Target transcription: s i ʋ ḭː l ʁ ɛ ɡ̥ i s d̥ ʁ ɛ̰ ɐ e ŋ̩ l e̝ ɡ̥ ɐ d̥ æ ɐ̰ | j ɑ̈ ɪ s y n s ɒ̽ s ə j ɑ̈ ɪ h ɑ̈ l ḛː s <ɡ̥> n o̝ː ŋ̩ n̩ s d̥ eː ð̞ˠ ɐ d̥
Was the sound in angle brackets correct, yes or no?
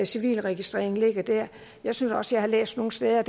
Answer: no